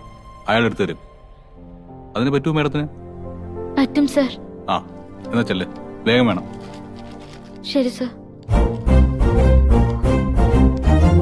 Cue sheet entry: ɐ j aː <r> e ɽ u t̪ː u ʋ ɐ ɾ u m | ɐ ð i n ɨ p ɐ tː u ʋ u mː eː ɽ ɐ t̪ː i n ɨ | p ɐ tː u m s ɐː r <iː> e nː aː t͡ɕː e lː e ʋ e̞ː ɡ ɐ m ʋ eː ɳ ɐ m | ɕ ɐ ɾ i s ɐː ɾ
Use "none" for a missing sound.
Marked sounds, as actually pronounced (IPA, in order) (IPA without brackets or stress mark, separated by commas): ɭ, aː